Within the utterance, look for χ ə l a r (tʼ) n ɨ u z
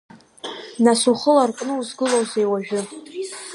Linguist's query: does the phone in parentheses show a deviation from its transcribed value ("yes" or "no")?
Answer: yes